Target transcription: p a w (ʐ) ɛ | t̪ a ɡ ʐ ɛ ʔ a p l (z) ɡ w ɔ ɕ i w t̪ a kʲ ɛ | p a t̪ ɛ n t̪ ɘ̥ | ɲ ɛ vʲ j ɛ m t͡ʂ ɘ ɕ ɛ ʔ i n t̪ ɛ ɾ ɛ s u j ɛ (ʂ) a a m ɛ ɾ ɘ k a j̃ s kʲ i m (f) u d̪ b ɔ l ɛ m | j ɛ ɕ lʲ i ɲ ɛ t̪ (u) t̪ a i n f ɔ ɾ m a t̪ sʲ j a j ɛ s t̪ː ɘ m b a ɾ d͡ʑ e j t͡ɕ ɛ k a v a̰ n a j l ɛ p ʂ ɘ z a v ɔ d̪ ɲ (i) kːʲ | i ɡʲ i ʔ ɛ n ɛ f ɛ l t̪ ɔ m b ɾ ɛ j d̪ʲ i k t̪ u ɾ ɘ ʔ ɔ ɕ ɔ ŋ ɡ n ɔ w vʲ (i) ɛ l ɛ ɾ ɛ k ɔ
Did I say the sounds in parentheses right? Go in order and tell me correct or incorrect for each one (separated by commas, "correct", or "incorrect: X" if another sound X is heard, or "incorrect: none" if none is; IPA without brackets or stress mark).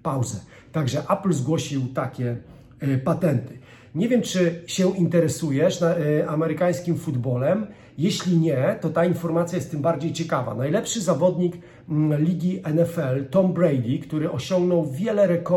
incorrect: z, correct, correct, correct, incorrect: ɔ, correct, incorrect: j